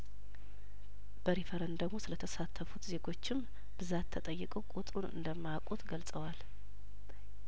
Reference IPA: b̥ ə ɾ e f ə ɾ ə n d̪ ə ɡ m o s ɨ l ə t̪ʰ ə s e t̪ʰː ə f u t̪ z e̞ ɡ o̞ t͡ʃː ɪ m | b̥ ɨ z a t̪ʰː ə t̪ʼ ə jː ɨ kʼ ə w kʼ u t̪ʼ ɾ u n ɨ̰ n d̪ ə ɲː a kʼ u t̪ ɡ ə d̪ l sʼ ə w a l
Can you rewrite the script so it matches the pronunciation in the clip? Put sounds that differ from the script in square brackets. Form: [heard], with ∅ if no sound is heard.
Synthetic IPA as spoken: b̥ ə ɾ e f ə ɾ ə n d̪ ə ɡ m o s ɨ l ə t̪ʰ ə s [a] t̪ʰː ə f u t̪ z e̞ ɡ o̞ t͡ʃː ɪ m | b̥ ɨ z a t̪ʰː ə t̪ʼ ə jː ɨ kʼ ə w kʼ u t̪ʼ ɾ u n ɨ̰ n d̪ ə [mː] a kʼ u t̪ ɡ ə [∅] l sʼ ə w a l